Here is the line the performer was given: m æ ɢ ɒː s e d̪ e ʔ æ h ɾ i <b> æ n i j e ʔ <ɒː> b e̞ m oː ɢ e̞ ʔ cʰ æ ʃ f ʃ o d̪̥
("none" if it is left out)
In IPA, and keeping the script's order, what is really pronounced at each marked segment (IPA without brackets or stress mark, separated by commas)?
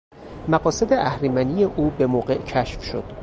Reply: m, uː